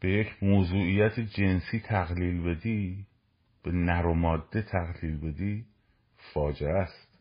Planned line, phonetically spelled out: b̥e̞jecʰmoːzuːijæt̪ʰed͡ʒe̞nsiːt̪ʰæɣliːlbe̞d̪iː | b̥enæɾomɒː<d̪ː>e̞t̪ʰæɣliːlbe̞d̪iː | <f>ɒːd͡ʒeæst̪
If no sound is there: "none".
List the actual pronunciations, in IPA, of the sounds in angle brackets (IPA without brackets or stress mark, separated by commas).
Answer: d̪ː, f